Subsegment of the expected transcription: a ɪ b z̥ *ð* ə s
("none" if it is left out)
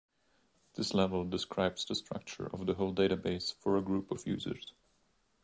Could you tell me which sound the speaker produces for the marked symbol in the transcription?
ð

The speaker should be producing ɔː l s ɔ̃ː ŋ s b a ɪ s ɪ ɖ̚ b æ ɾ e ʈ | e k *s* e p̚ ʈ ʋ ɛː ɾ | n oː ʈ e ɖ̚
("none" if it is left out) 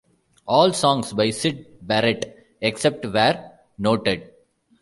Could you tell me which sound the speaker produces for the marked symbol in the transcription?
s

